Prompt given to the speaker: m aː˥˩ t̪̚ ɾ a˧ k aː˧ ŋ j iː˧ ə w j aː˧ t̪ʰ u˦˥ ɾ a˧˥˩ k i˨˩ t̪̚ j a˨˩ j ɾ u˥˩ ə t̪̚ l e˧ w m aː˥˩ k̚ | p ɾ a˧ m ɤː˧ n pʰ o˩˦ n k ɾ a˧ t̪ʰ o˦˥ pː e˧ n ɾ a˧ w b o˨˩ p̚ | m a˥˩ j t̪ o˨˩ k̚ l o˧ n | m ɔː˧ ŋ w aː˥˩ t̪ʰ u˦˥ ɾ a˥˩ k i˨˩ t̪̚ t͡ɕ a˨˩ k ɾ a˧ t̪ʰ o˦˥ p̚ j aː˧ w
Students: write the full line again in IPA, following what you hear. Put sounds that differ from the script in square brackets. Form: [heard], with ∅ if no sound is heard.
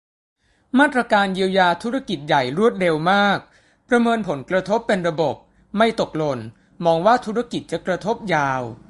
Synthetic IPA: m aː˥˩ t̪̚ ɾ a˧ k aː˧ [n] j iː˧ ə w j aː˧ t̪ʰ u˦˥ ɾ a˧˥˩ k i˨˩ t̪̚ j a˨˩ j ɾ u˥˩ ə t̪̚ [ɾ] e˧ w m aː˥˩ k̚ | p ɾ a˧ m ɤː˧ n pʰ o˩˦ n k ɾ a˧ t̪ʰ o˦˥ pː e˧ n ɾ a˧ [∅] b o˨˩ p̚ | m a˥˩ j t̪ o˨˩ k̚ l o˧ n | m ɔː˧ ŋ w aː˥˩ t̪ʰ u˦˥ ɾ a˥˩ k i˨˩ t̪̚ t͡ɕ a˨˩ k ɾ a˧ t̪ʰ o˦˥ p̚ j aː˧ w